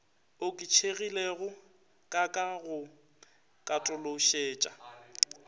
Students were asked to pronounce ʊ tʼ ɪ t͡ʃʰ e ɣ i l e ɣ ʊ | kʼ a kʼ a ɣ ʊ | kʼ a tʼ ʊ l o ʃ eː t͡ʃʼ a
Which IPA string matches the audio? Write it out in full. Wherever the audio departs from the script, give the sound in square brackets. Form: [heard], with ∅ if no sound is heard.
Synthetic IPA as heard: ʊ [kʼ] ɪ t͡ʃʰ e ɣ i l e ɣ ʊ | kʼ a kʼ a ɣ ʊ | kʼ a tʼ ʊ l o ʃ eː t͡ʃʼ a